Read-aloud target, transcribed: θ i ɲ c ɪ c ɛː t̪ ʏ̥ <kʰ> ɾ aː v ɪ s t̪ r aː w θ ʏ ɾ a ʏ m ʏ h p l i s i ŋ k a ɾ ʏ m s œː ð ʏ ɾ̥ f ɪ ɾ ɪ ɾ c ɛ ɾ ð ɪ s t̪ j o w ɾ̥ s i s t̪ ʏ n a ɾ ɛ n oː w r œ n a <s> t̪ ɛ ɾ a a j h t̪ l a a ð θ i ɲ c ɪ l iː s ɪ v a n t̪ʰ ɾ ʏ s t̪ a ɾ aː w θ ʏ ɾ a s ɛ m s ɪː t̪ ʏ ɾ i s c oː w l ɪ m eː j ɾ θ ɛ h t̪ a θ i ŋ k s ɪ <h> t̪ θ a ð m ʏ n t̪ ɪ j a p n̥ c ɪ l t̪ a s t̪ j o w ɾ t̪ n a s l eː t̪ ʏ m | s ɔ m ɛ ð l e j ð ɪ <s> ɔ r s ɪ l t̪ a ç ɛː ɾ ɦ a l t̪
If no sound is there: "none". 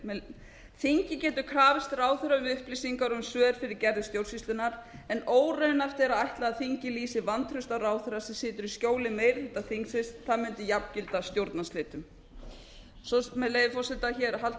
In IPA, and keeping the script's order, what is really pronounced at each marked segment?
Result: kʰ, f, s, f

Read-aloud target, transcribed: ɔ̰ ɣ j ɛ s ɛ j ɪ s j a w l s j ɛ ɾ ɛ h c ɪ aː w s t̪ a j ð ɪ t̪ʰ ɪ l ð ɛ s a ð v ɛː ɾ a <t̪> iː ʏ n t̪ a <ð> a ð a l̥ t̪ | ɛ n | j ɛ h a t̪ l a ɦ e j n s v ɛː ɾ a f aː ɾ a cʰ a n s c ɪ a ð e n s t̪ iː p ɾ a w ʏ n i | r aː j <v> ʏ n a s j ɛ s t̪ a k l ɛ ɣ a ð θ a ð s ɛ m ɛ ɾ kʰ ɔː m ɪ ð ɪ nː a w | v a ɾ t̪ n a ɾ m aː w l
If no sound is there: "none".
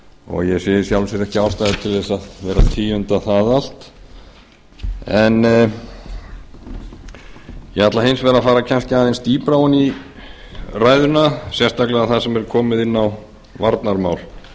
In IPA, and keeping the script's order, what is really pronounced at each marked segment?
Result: t̪ʰ, θ, ð

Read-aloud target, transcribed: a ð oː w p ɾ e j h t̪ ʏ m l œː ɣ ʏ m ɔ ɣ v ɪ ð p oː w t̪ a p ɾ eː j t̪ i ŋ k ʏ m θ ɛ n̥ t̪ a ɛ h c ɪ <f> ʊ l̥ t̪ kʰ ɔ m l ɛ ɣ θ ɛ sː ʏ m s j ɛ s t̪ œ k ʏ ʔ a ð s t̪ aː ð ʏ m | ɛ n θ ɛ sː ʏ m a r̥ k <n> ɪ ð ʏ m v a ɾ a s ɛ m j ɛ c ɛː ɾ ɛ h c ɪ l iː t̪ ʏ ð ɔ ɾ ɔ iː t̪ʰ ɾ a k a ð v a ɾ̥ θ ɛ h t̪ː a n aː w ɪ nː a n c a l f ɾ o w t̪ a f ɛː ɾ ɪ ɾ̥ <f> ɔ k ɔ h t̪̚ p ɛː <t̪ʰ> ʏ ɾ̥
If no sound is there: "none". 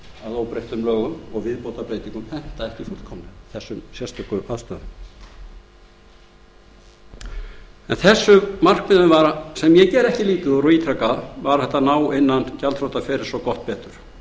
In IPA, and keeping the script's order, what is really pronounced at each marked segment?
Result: f, m, s, t̪

